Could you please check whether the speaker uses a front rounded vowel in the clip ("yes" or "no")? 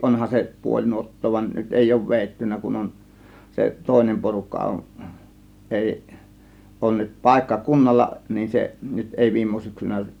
yes